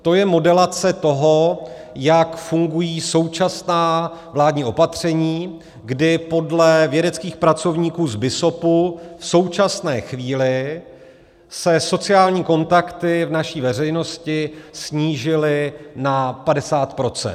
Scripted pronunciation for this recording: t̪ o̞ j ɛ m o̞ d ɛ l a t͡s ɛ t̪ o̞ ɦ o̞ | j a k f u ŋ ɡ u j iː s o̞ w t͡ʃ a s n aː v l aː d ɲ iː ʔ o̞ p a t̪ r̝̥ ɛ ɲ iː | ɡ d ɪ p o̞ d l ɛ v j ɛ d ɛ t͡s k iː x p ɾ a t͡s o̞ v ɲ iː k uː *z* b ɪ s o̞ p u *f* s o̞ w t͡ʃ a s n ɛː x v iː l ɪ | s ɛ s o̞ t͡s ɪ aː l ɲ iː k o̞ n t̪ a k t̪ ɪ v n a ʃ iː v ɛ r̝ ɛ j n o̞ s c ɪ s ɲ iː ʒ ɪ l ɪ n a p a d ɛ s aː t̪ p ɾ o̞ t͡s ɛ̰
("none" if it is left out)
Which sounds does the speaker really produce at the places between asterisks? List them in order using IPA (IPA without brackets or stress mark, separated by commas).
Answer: z, f